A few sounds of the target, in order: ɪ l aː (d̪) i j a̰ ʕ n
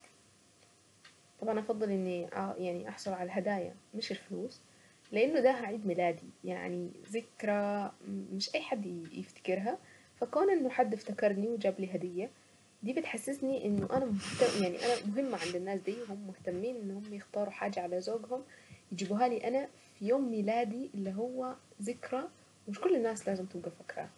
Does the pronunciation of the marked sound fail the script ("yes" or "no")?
no